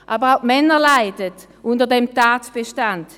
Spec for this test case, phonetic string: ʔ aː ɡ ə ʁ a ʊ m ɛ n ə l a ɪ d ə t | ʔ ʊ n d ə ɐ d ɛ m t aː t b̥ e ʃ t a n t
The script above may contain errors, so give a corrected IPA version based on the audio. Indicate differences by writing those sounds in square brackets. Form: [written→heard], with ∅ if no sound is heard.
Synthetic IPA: ʔ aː [ɡ→b] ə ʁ a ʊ m ɛ n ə l a ɪ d ə t | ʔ ʊ n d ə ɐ d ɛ m t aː t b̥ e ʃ t a n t